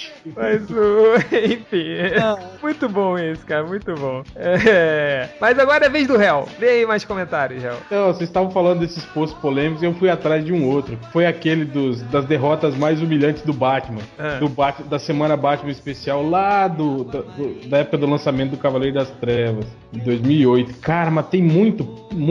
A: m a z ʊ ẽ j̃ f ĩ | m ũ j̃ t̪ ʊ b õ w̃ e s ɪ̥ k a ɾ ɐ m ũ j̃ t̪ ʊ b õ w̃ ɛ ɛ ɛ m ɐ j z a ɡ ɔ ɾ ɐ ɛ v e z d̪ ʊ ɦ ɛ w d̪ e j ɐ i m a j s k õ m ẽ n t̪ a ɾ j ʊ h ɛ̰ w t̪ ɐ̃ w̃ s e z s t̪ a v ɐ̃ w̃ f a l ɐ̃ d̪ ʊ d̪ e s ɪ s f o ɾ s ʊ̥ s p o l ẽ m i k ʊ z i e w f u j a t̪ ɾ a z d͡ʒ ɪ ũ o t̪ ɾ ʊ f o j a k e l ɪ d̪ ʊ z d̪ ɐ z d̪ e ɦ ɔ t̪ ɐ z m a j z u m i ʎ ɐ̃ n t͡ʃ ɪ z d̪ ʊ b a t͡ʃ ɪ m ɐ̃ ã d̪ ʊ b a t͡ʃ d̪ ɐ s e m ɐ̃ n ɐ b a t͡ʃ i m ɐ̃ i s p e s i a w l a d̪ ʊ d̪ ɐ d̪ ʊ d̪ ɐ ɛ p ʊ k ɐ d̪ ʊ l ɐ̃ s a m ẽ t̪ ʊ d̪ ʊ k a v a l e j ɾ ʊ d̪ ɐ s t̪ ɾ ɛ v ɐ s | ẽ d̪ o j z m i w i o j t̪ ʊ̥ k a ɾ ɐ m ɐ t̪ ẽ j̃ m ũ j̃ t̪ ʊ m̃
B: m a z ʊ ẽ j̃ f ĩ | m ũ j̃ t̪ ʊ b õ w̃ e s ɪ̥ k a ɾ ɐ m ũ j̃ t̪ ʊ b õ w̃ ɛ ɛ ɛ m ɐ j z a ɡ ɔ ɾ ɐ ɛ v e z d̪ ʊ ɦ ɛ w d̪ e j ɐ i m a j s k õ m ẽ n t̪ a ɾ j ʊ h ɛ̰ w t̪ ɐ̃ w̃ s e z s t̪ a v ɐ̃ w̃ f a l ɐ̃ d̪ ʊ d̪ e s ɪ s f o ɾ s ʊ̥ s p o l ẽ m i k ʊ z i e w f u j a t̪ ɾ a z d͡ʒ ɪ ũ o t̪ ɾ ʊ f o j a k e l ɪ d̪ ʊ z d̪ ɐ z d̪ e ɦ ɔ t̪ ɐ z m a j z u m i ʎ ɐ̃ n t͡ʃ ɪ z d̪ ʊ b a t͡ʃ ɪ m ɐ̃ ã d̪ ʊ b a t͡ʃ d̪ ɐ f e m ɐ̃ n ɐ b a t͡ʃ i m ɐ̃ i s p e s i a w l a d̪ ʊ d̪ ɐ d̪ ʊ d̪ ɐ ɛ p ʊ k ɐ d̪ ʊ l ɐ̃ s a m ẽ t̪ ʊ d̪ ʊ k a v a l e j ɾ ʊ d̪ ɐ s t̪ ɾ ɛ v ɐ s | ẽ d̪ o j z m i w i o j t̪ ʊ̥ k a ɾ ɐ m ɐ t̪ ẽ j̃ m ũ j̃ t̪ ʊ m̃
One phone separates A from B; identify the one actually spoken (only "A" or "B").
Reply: A